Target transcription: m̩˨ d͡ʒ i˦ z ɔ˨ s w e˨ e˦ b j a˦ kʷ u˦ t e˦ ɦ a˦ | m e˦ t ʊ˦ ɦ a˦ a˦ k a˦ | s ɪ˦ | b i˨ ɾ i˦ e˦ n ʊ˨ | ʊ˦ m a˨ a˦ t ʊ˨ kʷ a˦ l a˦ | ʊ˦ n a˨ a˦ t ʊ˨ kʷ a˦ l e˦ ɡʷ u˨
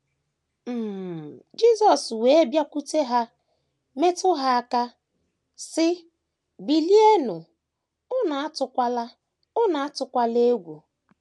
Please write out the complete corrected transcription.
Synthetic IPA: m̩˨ d͡ʒ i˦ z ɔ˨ s w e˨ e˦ b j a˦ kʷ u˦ t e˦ ɦ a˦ | m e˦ t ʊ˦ ɦ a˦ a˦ k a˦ | s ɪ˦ | b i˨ l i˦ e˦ n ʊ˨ | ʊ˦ n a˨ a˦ t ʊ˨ kʷ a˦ l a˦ | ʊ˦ n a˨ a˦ t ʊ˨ kʷ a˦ l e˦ ɡʷ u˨

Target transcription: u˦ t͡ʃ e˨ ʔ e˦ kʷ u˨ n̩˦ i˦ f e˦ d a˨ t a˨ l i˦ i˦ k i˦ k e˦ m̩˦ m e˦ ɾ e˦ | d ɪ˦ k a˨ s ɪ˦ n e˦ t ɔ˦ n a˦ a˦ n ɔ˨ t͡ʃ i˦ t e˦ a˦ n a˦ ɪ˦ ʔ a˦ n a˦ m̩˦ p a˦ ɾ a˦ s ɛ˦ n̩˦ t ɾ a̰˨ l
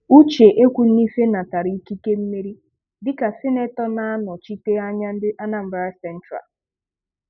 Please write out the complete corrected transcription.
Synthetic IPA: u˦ t͡ʃ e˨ ʔ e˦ kʷ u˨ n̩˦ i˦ f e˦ n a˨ t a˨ ɾ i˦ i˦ k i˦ k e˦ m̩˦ m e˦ ɾ i˦ | d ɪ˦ k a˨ s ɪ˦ n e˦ t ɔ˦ n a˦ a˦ n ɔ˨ t͡ʃ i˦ t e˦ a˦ ɲ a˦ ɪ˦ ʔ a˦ n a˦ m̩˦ b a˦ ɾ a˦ s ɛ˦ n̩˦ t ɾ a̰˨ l

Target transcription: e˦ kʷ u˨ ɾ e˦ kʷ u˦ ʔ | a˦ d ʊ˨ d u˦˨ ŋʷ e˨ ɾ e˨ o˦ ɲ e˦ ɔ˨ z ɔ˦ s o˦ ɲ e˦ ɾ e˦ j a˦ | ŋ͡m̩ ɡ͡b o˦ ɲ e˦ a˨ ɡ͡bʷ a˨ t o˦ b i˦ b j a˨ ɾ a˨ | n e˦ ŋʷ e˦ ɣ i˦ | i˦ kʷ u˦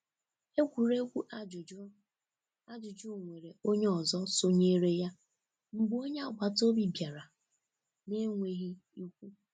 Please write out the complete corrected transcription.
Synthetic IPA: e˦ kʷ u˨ ɾ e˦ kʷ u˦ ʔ | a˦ d͡ʒ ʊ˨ d͡ʒ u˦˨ ŋʷ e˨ ɾ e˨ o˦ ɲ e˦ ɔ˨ z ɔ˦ s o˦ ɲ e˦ ɾ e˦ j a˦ | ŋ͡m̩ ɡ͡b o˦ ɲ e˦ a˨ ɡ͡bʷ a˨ t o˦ b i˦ b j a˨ ɾ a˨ | n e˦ ŋʷ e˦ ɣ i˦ | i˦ kʷ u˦

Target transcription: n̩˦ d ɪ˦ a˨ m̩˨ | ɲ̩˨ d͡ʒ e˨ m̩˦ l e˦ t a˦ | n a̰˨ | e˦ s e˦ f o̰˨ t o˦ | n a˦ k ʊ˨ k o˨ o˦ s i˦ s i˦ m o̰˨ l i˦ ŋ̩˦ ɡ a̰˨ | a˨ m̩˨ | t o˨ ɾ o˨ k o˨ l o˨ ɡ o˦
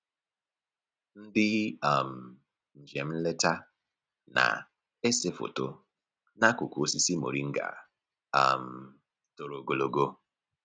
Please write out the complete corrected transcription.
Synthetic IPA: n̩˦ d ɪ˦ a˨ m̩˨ | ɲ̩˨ d͡ʒ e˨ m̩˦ l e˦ t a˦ | n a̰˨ | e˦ s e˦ f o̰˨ t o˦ | n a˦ k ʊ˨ k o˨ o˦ s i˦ s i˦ m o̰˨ ɾ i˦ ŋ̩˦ ɡ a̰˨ | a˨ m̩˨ | t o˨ ɾ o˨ ɡ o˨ l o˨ ɡ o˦

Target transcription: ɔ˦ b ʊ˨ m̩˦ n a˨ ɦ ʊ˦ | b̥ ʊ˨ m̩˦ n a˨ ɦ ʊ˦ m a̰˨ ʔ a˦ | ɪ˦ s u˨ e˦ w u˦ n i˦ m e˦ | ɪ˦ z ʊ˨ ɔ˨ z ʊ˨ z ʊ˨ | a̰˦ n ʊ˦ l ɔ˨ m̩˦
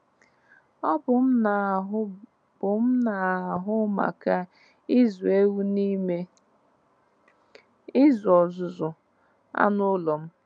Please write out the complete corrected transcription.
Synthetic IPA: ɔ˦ b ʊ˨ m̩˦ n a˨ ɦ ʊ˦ | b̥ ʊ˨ m̩˦ n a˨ ɦ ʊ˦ m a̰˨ k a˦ | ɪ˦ z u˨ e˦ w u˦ n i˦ m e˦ | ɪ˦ z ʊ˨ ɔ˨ z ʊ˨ z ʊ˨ | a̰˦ n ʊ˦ l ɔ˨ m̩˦

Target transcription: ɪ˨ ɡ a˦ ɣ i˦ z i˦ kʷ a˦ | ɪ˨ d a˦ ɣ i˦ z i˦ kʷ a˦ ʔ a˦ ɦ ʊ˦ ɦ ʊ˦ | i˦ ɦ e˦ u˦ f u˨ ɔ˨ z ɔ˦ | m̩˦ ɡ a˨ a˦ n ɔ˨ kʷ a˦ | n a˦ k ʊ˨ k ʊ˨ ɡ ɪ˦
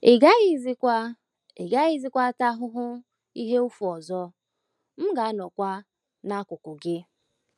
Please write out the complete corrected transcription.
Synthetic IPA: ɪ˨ ɡ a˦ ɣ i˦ z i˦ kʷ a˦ | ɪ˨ ɡ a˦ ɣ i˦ z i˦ kʷ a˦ t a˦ ɦ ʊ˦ ɦ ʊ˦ | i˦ ɦ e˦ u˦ f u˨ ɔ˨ z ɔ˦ | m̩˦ ɡ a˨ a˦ n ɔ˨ kʷ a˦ | n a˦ k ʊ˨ k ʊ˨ ɡ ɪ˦

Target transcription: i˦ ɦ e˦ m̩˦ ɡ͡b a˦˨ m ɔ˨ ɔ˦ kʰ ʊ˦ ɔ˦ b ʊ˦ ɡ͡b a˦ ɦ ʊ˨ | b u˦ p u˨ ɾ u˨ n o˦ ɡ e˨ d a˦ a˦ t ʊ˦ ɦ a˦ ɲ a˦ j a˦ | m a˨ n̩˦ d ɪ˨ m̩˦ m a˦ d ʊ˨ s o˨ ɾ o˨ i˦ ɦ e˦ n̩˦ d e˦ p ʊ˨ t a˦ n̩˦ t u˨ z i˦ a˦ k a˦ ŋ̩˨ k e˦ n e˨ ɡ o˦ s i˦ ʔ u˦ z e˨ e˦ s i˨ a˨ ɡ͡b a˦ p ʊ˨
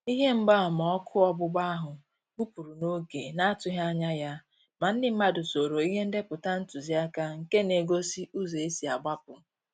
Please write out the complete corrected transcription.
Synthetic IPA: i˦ ɦ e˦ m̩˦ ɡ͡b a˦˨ m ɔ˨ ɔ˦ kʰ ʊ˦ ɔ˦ b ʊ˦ ɡ͡b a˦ ɦ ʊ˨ | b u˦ p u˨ ɾ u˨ n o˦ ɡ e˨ n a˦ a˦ t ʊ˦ ɦ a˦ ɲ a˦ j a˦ | m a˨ n̩˦ d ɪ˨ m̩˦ m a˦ d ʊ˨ s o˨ ɾ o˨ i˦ ɦ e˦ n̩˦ d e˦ p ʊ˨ t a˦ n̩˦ t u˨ z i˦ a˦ k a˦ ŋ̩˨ k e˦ n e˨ ɡ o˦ s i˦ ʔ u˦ z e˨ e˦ s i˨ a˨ ɡ͡b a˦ p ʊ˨

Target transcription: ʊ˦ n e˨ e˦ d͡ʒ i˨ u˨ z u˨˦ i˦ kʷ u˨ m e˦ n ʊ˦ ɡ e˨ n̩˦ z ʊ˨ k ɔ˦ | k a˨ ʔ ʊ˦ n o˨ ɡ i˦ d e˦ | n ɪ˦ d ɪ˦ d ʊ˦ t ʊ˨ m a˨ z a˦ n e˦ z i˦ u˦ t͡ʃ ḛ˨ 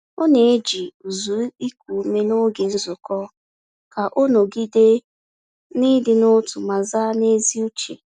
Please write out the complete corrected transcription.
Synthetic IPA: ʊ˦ n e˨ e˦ d͡ʒ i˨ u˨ z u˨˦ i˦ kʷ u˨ m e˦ n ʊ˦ ɡ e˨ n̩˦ z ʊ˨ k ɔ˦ | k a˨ ʔ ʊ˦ n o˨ ɡ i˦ d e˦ | n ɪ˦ d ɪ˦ n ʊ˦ t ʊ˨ m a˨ z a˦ n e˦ z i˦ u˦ t͡ʃ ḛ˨

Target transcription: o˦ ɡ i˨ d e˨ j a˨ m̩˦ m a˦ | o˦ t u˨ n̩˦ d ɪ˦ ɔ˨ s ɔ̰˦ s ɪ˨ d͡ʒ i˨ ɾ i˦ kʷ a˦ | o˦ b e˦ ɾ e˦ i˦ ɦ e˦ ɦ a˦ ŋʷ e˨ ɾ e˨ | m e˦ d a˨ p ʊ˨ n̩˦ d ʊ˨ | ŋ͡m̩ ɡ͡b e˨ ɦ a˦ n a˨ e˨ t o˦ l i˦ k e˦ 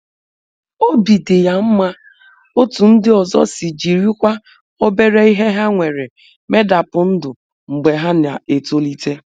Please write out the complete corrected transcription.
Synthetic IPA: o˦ b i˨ d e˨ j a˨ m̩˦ m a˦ | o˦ t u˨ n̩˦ d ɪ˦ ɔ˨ z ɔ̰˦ s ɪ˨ d͡ʒ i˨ ɾ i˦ kʷ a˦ | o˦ b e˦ ɾ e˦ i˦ ɦ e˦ ɦ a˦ ŋʷ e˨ ɾ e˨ | m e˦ d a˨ p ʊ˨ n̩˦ d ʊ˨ | ŋ͡m̩ ɡ͡b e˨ ɦ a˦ n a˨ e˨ t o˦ l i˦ t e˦

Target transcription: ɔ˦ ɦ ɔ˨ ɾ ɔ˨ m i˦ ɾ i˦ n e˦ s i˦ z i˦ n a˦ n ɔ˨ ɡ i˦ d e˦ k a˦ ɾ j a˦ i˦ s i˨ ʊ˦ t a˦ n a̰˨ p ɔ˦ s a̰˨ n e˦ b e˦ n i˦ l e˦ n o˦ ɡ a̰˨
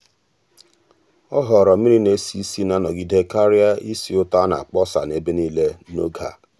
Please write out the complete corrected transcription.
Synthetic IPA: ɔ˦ ɦ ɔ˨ ɾ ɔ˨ m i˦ ɾ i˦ n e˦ s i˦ s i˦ n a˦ n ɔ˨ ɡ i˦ d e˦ k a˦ ɾ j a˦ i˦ s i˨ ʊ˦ t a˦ n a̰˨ k͡p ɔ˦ s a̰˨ n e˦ b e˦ n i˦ l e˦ n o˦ ɡ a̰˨

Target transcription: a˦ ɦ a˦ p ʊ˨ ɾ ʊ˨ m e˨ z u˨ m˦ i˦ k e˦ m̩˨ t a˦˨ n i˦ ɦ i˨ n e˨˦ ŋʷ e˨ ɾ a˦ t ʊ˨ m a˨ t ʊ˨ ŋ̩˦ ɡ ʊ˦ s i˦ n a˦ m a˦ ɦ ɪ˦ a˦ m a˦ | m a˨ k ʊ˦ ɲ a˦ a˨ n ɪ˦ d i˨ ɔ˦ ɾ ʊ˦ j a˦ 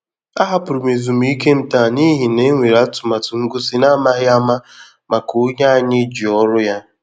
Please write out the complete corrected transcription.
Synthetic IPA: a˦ ɦ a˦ p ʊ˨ ɾ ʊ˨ m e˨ z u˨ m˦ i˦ k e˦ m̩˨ t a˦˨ n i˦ ɦ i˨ n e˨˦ ŋʷ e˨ ɾ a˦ t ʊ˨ m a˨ t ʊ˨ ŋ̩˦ ɡ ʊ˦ s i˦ n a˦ m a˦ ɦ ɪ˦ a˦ m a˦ | m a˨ k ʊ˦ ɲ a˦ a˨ ɲ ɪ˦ d͡ʒ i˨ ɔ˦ ɾ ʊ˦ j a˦

